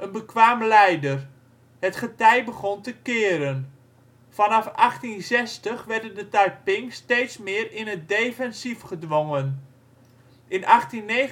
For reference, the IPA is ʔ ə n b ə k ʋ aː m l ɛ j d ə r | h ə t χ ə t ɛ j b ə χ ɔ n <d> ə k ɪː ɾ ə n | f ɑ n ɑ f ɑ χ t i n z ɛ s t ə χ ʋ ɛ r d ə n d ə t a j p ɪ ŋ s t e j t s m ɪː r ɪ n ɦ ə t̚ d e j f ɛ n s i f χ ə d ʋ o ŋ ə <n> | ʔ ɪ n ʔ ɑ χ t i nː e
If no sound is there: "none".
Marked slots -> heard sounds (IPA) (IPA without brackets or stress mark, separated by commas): t, n